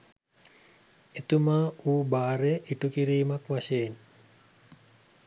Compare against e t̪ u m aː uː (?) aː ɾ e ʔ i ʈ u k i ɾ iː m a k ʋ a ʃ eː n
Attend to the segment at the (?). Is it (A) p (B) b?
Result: B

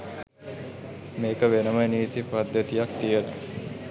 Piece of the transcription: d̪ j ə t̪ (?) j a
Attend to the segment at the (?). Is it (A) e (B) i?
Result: B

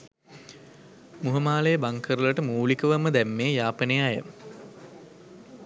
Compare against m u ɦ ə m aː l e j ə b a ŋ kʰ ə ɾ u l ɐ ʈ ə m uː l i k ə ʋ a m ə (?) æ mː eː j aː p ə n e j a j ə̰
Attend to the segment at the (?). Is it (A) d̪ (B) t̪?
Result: A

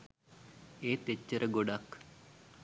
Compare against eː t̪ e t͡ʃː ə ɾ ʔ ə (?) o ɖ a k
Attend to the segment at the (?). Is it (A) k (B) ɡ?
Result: B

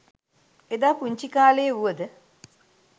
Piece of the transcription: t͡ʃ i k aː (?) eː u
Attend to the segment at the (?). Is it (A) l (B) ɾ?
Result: A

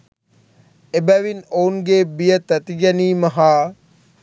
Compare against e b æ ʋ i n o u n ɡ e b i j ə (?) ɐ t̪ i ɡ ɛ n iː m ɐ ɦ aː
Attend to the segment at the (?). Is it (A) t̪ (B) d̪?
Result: A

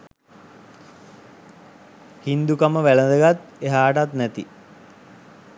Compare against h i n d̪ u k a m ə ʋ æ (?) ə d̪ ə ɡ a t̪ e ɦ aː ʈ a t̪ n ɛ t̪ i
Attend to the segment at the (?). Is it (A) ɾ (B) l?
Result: B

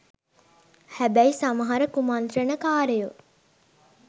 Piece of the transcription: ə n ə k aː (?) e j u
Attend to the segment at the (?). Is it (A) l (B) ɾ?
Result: B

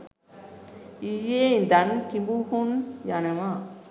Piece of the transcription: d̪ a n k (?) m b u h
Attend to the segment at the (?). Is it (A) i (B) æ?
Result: A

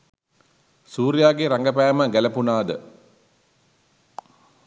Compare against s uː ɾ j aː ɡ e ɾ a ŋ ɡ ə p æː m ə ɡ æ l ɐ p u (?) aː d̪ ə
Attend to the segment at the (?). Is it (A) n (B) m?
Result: A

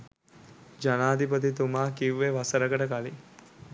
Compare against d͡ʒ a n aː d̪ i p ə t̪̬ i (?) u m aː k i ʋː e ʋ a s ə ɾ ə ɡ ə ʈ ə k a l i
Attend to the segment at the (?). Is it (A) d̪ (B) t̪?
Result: B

